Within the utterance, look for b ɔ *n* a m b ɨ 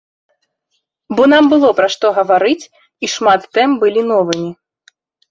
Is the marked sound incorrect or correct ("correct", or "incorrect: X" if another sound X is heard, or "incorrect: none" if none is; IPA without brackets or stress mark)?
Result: correct